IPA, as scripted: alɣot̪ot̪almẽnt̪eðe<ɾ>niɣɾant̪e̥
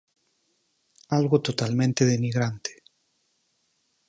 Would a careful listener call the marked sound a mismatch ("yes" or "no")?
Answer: yes